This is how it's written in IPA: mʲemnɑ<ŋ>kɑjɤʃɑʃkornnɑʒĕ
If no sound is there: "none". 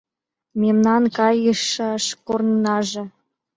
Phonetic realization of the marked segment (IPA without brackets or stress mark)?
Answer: n